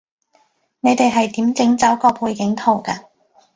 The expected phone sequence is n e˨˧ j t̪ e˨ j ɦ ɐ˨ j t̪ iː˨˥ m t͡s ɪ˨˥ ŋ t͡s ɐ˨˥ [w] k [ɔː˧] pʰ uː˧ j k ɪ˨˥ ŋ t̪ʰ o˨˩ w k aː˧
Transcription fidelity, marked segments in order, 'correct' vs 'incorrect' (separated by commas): correct, correct